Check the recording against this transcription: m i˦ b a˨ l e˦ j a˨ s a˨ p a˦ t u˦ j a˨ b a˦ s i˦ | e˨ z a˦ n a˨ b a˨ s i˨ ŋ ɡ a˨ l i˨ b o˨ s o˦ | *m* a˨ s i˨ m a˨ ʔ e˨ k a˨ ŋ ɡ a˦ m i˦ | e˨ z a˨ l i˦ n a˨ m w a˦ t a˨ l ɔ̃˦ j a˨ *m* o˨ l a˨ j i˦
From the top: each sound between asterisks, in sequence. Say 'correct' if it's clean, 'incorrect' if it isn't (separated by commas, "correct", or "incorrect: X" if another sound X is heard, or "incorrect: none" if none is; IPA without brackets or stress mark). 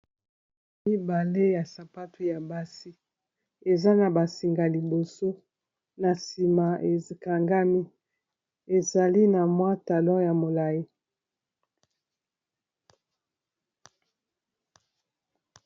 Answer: incorrect: n, correct